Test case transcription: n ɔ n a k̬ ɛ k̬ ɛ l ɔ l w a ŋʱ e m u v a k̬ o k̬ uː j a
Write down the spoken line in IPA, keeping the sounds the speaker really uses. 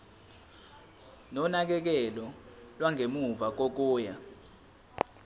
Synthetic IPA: n ɔ n a k̬ ɛ k̬ ɛ l ɔ l w a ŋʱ e m u v a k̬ o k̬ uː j a